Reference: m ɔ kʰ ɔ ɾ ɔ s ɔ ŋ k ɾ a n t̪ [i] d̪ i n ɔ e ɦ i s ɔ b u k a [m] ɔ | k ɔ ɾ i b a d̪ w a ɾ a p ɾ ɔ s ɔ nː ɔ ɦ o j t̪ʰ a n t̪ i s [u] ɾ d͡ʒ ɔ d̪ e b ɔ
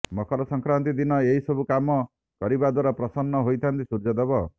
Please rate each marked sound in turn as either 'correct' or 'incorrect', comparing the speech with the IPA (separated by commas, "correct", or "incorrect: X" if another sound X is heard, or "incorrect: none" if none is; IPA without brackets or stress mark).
correct, correct, correct